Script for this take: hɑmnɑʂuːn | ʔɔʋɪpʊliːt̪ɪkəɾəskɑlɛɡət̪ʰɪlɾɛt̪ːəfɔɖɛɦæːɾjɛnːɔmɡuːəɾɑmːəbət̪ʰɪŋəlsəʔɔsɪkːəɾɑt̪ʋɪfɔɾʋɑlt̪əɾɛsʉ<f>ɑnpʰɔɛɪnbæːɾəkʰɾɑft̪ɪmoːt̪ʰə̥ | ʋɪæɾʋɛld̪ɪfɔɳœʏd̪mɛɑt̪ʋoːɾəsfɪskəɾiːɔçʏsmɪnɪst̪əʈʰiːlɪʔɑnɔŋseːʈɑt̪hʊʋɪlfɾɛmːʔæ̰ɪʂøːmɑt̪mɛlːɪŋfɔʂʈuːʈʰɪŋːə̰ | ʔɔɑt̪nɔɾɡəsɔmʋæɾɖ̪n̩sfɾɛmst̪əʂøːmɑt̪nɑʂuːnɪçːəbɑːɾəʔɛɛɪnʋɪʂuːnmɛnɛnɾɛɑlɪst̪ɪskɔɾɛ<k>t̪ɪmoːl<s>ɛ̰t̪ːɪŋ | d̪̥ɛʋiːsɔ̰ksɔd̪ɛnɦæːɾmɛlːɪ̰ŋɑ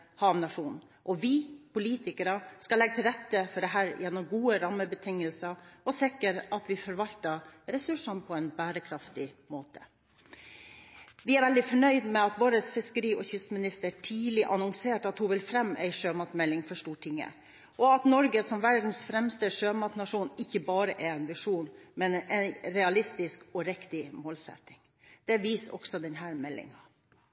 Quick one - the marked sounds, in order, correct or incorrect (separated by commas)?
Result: incorrect, correct, correct